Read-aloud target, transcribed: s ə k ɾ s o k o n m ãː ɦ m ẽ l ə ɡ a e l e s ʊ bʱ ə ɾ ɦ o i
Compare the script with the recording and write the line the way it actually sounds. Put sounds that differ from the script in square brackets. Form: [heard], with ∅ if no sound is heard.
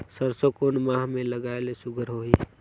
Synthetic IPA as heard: s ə [∅] ɾ s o k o n m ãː ɦ m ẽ l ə ɡ a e l e s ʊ [ɡʱ] ə ɾ ɦ o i

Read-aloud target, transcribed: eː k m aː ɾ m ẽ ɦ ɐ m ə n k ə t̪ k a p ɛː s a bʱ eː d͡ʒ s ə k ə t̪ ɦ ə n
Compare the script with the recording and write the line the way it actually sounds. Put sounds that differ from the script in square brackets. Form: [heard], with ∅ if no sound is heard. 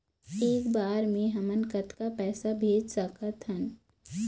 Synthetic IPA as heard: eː k [b] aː ɾ m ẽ ɦ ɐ m ə n k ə t̪ k a p ɛː s a bʱ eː d͡ʒ s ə k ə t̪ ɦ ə n

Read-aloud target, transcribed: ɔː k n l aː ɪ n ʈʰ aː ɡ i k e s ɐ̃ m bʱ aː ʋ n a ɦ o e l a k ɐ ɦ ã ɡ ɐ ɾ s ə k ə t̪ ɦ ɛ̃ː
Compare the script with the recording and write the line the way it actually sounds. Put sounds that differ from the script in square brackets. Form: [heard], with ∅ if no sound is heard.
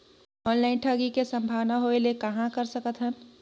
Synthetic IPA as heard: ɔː [∅] n l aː ɪ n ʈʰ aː ɡ i k e s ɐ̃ m bʱ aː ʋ n a ɦ o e l [e] k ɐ ɦ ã [k] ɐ ɾ s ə k ə t̪ ɦ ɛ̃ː

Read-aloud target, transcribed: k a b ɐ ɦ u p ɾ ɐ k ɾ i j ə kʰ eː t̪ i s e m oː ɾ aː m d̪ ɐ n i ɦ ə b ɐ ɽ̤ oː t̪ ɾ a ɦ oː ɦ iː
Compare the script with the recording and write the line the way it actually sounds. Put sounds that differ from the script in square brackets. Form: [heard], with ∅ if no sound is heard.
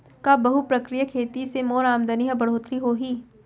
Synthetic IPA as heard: k a b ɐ ɦ u p ɾ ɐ k ɾ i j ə kʰ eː t̪ i s e m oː ɾ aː m d̪ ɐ n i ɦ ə b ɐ ɽ̤ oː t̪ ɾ [i] ɦ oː ɦ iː

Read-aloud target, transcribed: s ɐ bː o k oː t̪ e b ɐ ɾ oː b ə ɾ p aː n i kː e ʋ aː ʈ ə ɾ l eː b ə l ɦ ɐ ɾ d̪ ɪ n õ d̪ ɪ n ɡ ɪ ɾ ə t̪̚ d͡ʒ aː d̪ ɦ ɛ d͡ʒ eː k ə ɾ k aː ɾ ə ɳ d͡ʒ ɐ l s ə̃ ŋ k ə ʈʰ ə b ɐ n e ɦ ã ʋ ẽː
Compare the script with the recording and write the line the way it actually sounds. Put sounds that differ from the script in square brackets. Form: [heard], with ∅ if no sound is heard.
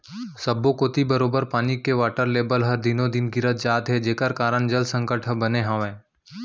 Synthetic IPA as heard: s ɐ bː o k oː t̪ [i] b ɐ ɾ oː b ə ɾ p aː n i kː e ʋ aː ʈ ə ɾ l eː b ə l ɦ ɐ ɾ d̪ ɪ n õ d̪ ɪ n ɡ ɪ ɾ ə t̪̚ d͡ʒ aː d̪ ɦ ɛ d͡ʒ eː k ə ɾ k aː ɾ ə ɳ d͡ʒ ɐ l s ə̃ ŋ k ə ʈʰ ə b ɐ n e ɦ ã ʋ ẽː

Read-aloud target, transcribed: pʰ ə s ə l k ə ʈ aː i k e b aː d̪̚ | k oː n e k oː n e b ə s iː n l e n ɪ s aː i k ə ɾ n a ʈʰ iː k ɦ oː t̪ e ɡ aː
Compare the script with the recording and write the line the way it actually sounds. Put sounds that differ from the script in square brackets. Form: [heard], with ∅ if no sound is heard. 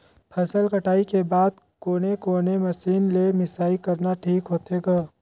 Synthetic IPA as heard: pʰ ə s ə l k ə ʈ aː i k e b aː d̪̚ | k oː n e k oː n e [m] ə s iː n l e [m] ɪ s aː i k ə ɾ n a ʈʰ iː k ɦ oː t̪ e ɡ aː

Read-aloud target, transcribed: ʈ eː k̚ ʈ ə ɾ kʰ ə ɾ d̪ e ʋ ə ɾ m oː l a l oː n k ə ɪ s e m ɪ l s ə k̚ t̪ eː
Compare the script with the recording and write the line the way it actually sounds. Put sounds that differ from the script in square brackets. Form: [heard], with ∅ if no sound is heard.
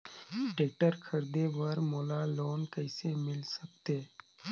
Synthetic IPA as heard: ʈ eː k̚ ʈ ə ɾ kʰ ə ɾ d̪ e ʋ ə ɾ m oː l a l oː n k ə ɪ s e m ɪ l s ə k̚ t̪ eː

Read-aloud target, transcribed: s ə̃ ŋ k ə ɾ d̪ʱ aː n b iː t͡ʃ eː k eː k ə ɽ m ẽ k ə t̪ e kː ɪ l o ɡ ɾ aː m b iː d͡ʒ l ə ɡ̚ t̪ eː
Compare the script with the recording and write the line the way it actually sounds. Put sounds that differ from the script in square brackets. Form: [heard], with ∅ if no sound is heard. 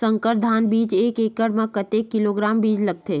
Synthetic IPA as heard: s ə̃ ŋ k ə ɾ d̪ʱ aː n b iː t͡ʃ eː k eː k ə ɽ m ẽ k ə t̪ e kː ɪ l o ɡ ɾ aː m b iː d͡ʒ l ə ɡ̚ t̪ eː

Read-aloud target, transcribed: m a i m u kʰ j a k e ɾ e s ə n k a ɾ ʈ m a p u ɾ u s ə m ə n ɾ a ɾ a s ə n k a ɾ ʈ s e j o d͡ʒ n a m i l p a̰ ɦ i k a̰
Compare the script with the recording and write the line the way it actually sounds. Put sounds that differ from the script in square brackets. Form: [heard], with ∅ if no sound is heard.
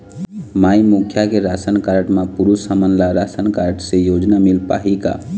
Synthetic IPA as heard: m a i m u kʰ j a k e ɾ [a] s ə n k a ɾ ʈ m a p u ɾ u s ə m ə n [l] a ɾ a s ə n k a ɾ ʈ s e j o d͡ʒ n a m i l p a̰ ɦ i k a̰

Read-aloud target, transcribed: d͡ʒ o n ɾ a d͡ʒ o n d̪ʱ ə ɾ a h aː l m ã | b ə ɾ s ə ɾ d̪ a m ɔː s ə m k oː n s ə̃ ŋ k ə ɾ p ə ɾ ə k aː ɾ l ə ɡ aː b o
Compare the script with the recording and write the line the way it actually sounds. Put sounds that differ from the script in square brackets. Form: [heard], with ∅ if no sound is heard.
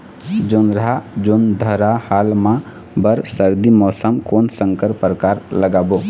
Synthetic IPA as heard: d͡ʒ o n ɾ a d͡ʒ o n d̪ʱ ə ɾ a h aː l m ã | b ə ɾ s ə ɾ d̪ [i] m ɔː s ə m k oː n s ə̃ ŋ k ə ɾ p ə ɾ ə k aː ɾ l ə ɡ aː b o

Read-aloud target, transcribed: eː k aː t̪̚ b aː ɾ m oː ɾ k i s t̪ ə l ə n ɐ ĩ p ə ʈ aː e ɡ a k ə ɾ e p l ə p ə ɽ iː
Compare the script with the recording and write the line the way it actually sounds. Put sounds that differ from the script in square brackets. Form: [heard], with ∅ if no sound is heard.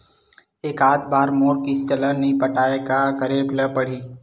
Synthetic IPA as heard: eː k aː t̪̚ b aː ɾ m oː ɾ k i s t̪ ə l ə n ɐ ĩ p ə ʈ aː e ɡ a k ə ɾ e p l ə p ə ɽ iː

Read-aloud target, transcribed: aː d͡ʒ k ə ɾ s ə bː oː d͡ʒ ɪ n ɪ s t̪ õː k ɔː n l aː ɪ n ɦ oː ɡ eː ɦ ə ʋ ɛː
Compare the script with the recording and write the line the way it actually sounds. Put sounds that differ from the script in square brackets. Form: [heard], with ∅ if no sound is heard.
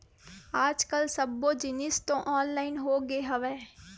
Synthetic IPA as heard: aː d͡ʒ k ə [l] s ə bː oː d͡ʒ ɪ n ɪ s t̪ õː [ʔ] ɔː n l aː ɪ n ɦ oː ɡ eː ɦ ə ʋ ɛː

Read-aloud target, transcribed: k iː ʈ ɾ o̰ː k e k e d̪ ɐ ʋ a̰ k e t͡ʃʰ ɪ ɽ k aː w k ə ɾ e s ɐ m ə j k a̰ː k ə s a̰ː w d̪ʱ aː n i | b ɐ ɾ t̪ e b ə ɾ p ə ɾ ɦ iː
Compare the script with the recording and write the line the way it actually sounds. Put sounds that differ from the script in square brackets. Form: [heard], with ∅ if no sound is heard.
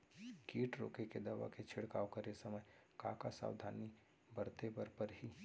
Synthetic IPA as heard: k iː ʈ ɾ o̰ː k e k e d̪ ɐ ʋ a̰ k e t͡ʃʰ ɪ ɽ k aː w k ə ɾ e s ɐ m ə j k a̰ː k [a] s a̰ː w d̪ʱ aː n i | b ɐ ɾ t̪ e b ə ɾ p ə ɾ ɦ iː

